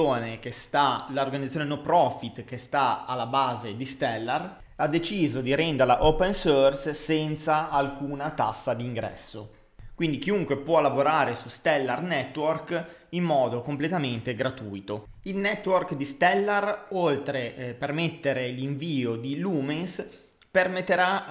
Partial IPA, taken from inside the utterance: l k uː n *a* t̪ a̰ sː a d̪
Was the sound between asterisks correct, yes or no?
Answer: yes